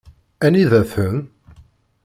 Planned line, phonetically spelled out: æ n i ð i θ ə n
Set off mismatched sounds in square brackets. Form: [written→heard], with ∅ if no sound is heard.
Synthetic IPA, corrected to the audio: æ n i ð [i→æ] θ ə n